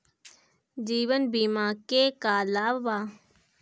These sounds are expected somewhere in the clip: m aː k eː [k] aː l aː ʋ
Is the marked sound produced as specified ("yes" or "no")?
yes